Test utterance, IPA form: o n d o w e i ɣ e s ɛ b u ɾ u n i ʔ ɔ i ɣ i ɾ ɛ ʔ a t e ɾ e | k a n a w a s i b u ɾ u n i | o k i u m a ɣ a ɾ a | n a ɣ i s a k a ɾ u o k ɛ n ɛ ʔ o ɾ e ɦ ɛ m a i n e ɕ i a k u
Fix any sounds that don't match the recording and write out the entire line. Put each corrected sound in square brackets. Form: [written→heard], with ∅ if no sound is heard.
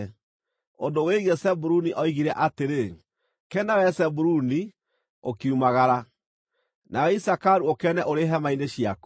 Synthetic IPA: o n d o w e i ɣ e s ɛ b u ɾ u n i ʔ ɔ i ɣ i ɾ ɛ ʔ a t e ɾ e | k [a→ɛ] n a w [a→ɛ] s [i→ɛ] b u ɾ u n i | o k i u m a ɣ a ɾ a | n a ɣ i s a k a ɾ u o k ɛ n ɛ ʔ o ɾ e ɦ ɛ m a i n e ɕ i a k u